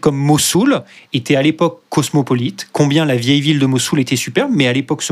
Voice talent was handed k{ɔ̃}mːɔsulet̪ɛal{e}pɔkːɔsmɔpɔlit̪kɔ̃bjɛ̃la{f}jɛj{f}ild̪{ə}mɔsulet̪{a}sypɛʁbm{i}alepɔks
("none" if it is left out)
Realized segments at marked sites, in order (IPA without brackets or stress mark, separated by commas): ɔ, e, v, v, ə, ɛ, ɛ